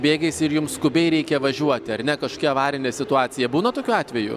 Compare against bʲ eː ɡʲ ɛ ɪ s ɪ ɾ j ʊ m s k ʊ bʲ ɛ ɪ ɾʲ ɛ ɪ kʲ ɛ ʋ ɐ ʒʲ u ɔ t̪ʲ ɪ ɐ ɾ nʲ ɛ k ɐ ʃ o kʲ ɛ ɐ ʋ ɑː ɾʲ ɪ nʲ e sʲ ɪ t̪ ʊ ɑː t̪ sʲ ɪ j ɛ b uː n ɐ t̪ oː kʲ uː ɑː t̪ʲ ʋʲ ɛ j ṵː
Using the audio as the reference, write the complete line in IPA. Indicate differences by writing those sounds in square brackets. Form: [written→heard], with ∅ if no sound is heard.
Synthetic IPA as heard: bʲ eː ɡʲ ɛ ɪ s ɪ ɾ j ʊ m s k ʊ bʲ ɛ ɪ ɾʲ ɛ ɪ kʲ ɛ ʋ ɐ ʒʲ u ɔ t̪ʲ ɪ ɐ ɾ nʲ ɛ k ɐ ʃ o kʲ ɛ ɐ ʋ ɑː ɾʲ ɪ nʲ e sʲ ɪ t̪ ʊ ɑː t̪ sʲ ɪ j ɛ b uː n ɐ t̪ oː kʲ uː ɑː t̪ʲ ʋʲ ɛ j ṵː

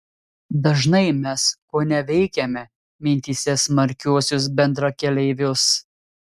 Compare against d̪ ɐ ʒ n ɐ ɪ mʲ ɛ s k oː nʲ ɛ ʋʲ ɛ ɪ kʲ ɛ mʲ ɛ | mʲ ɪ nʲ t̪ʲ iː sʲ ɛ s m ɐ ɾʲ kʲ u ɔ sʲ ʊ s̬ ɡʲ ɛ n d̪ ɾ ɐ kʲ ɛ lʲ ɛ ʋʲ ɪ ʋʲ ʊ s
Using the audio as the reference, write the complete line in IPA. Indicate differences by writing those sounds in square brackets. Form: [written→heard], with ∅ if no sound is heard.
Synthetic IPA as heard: d̪ ɐ ʒ n ɐ ɪ mʲ ɛ s k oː nʲ ɛ ʋʲ ɛ ɪ kʲ ɛ mʲ ɛ | mʲ ɪ nʲ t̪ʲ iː sʲ ɛ s m ɐ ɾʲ kʲ u ɔ sʲ ʊ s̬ [ɡʲ→bʲ] ɛ n d̪ ɾ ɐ kʲ ɛ lʲ ɛ [ʋʲ→∅] ɪ ʋʲ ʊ s

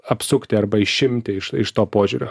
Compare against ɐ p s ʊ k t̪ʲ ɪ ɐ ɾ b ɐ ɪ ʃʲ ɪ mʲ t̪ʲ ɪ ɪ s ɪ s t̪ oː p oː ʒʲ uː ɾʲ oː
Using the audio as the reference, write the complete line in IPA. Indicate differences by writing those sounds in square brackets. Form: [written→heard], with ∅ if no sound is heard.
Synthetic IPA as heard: ɐ p s ʊ k t̪ʲ ɪ ɐ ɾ b ɐ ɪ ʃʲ ɪ mʲ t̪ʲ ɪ ɪ [s→ʃ] ɪ [s→ʃ] t̪ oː p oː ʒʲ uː ɾʲ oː

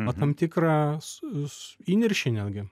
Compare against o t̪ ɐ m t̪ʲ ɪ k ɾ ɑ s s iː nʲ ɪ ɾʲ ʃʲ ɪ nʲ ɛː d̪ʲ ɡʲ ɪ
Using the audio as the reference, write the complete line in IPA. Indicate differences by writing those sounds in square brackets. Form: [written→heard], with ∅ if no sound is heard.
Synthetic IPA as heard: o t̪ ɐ m t̪ʲ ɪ k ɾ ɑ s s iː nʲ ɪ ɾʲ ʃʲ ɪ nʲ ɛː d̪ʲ ɡʲ ɪ

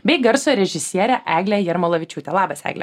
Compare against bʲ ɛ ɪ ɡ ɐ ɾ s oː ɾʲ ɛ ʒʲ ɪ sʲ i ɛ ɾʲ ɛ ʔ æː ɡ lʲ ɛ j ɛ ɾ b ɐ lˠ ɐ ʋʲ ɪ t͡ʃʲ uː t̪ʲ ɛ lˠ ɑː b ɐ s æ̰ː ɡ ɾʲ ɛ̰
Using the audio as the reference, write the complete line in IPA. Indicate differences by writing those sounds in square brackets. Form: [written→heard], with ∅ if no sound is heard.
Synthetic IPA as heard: bʲ ɛ ɪ ɡ ɐ ɾ s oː ɾʲ ɛ ʒʲ ɪ sʲ i ɛ ɾʲ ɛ ʔ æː ɡ lʲ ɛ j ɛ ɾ [b→m] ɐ lˠ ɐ ʋʲ ɪ t͡ʃʲ uː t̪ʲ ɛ lˠ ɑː b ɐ s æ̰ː ɡ [ɾʲ→lʲ] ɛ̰

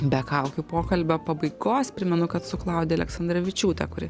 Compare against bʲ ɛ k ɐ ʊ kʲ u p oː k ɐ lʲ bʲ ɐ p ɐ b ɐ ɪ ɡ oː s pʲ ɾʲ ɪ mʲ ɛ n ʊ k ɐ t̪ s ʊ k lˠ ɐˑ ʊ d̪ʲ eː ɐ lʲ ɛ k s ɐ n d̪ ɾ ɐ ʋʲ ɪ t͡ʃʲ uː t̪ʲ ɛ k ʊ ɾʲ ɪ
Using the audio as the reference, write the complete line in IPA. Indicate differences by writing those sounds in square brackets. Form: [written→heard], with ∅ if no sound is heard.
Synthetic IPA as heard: bʲ ɛ k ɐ ʊ kʲ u p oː k ɐ lʲ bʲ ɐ p ɐ b ɐ ɪ ɡ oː s pʲ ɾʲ ɪ mʲ ɛ n ʊ k ɐ t̪ s ʊ k lˠ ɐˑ ʊ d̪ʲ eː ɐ lʲ ɛ k s ɐ n d̪ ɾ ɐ ʋʲ ɪ t͡ʃʲ uː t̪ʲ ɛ k ʊ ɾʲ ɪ

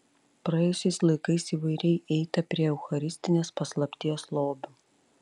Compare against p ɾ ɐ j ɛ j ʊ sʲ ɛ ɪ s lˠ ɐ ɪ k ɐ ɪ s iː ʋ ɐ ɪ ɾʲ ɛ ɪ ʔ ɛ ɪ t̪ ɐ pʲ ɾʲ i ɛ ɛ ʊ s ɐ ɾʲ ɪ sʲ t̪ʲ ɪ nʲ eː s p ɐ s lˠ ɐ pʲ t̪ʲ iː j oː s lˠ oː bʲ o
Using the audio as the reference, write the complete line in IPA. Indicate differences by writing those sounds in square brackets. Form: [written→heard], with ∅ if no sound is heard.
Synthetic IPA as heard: p ɾ ɐ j ɛ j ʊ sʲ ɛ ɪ s lˠ ɐ ɪ k ɐ ɪ s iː ʋ ɐ ɪ ɾʲ ɛ ɪ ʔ ɛ ɪ t̪ ɐ pʲ ɾʲ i ɛ ɛ ʊ [s→x] ɐ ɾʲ ɪ sʲ t̪ʲ ɪ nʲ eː s p ɐ s lˠ ɐ pʲ t̪ʲ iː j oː s lˠ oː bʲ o

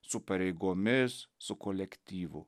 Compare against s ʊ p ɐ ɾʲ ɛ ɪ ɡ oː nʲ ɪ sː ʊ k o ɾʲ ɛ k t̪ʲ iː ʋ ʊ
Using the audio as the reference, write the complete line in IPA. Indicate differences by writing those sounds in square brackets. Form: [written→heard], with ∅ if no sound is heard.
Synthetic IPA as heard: s ʊ p ɐ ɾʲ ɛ ɪ ɡ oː [nʲ→mʲ] ɪ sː ʊ k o [ɾʲ→lʲ] ɛ k t̪ʲ iː ʋ ʊ

